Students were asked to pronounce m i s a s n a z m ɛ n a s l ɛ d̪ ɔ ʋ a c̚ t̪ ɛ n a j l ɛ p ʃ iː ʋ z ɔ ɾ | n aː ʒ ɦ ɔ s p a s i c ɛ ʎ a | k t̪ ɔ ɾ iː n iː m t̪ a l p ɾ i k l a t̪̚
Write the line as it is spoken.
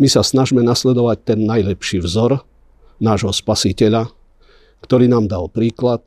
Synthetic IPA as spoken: m i s a s n a ʒ m ɛ n a s l ɛ d̪ ɔ ʋ a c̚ t̪ ɛ nː a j l ɛ p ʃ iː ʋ z ɔ ɾ | n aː ʒ ɦ ɔ s p a s i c ɛ ʎ a | k t̪ ɔ ɾ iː n aː m d̪ a l p ɾ iː k l a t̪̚